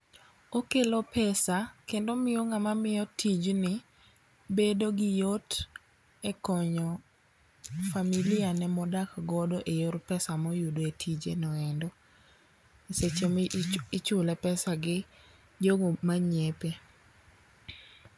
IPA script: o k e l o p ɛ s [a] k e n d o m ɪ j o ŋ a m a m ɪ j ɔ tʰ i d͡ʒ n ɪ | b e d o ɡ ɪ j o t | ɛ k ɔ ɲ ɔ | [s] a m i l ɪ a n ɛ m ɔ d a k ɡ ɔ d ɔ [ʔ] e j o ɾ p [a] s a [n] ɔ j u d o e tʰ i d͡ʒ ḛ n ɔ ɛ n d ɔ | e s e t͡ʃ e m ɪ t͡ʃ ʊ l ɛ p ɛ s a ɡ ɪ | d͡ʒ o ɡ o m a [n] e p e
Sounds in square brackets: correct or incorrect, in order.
correct, incorrect: f, correct, incorrect: ɛ, incorrect: m, incorrect: ɲ

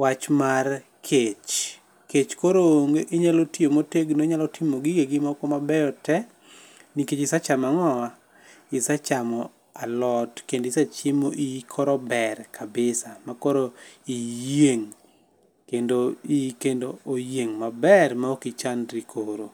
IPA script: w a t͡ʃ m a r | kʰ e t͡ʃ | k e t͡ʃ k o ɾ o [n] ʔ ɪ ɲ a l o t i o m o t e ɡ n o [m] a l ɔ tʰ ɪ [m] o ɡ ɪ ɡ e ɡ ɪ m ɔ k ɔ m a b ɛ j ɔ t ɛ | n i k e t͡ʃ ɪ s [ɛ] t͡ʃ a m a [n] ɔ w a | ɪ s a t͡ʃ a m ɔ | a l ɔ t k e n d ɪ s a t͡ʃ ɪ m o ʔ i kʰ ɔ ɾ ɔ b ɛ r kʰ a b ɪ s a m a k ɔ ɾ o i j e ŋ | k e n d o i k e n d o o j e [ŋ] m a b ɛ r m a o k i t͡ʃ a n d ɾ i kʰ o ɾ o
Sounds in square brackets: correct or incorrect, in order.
incorrect: ŋ, incorrect: ɲ, correct, incorrect: a, incorrect: ŋ, correct

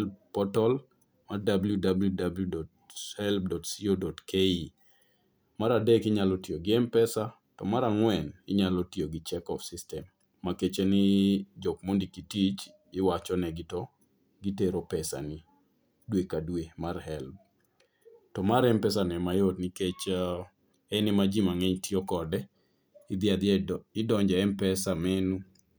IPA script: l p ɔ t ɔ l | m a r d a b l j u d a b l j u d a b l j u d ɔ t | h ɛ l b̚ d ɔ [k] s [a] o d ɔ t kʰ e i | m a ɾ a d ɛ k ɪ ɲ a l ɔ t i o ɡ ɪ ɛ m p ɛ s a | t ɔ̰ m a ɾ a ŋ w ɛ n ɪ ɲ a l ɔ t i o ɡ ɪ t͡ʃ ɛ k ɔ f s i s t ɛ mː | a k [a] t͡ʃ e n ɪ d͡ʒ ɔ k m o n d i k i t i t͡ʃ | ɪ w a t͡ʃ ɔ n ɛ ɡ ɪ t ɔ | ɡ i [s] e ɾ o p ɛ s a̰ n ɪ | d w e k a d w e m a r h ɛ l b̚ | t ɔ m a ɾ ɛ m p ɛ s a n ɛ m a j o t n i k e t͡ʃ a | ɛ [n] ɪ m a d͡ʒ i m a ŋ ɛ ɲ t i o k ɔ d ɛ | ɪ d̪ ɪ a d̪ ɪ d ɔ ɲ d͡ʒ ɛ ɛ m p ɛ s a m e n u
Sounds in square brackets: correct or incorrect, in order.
incorrect: t, incorrect: i, incorrect: e, incorrect: t, correct

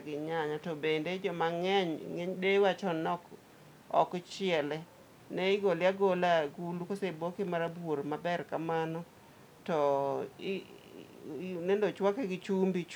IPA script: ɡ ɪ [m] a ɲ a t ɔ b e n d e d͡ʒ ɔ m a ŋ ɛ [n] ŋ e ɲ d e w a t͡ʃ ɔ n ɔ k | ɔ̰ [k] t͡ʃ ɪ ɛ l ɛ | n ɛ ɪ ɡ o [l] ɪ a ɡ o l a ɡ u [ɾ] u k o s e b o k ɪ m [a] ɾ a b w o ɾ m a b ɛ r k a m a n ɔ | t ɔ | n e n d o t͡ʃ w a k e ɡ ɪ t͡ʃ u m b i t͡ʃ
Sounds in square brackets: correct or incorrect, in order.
incorrect: ɲ, incorrect: ɲ, correct, correct, incorrect: l, correct

